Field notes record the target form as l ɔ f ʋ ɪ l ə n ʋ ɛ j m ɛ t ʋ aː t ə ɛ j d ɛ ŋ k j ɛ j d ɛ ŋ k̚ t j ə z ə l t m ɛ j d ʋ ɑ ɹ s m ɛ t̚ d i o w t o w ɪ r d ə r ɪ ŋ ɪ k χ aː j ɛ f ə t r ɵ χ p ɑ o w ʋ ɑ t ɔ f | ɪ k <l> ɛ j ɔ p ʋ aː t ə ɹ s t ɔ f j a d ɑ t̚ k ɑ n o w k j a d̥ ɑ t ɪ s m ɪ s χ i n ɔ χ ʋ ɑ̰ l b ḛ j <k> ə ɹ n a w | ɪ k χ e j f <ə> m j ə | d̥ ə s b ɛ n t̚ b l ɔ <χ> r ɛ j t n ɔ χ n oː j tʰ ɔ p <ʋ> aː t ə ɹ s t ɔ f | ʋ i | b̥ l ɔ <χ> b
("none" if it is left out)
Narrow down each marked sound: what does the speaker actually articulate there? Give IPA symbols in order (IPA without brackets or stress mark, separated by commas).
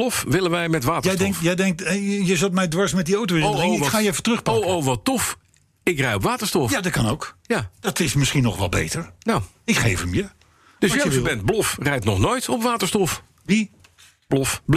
r, t, ə, f, ʋ, f